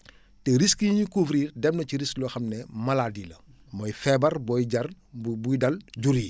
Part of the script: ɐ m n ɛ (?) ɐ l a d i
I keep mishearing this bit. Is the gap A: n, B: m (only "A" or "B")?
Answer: B